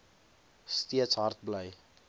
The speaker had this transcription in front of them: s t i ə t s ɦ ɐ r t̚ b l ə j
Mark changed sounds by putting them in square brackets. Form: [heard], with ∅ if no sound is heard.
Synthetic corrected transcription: s t i ə t s ɦ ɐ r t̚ b l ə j